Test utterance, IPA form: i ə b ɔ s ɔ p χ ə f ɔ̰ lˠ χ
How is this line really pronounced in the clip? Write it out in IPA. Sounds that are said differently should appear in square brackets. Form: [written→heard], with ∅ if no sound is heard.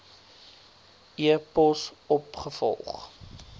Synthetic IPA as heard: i ə [b→p] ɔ s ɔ p χ ə f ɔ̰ lˠ χ